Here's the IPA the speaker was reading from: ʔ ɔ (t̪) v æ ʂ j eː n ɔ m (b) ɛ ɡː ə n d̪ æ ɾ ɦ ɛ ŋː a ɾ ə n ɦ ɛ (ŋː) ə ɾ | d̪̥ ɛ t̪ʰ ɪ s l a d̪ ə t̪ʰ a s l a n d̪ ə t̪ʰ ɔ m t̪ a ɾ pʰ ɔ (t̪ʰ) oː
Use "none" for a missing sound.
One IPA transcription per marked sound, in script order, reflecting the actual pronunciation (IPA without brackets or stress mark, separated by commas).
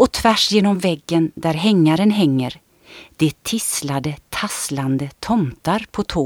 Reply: t̪ʰ, v, ŋː, t̪ʰ